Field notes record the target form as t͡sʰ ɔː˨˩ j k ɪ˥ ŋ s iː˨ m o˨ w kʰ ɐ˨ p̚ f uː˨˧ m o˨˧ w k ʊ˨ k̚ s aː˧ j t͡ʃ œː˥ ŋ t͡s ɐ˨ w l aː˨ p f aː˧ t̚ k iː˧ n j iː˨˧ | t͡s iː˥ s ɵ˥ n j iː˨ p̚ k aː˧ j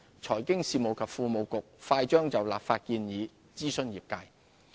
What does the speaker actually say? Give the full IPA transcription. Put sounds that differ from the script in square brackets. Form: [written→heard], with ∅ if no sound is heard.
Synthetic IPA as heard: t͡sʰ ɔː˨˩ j k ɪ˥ ŋ s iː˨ m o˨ w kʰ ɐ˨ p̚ f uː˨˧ m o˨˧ w k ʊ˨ k̚ [s→f] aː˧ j t͡ʃ œː˥ ŋ t͡s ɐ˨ w l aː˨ p f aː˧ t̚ k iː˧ n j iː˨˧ | t͡s iː˥ s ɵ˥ n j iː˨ p̚ k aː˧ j